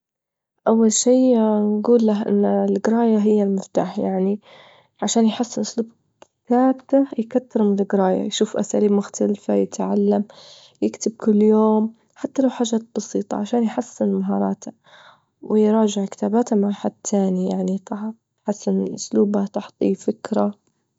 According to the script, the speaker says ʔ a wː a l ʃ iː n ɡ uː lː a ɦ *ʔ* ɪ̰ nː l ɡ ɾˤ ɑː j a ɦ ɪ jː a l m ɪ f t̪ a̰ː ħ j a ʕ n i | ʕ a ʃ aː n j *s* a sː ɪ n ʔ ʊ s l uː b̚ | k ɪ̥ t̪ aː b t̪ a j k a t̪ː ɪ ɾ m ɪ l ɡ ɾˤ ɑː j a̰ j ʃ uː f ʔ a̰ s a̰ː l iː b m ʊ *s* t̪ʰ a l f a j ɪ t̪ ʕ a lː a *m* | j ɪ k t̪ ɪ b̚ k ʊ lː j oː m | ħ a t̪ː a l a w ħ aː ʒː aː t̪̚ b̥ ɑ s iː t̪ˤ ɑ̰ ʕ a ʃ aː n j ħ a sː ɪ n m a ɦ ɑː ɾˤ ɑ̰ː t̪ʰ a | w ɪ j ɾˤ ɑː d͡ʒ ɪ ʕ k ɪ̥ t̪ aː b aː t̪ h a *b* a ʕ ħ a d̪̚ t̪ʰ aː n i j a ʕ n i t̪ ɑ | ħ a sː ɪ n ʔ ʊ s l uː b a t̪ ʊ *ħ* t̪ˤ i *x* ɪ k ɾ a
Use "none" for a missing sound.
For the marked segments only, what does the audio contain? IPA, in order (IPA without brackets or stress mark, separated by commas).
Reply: ʔ, ħ, x, m, m, ħ, f